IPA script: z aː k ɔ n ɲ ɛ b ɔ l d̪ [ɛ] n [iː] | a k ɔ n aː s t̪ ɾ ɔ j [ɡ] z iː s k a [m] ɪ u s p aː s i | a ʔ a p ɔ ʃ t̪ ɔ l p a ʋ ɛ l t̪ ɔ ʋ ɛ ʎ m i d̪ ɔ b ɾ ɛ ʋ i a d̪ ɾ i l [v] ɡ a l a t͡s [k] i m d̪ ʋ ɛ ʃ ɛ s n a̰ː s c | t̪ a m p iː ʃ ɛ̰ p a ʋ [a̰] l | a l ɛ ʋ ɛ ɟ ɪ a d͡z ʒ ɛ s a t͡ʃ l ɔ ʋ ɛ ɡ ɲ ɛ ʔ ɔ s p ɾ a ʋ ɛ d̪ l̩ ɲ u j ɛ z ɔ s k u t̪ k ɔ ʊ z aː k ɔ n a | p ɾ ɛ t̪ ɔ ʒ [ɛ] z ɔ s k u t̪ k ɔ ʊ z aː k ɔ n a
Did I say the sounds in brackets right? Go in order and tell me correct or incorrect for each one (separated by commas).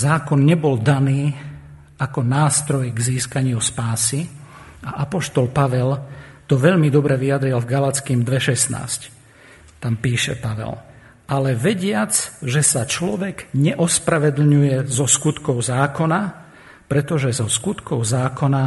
incorrect, correct, correct, incorrect, correct, correct, incorrect, correct